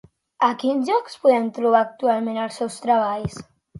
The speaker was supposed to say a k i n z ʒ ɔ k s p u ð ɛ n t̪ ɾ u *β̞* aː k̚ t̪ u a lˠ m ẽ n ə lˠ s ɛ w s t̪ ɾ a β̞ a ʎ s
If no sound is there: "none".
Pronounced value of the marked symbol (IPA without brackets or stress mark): β̞